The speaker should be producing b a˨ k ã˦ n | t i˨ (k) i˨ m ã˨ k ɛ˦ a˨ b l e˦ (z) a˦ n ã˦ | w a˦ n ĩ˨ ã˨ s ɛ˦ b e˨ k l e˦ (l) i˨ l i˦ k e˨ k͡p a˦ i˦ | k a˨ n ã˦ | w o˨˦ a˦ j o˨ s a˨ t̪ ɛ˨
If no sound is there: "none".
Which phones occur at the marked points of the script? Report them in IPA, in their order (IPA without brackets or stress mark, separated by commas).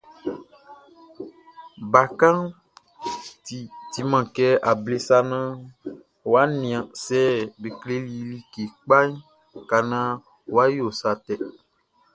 t, s, l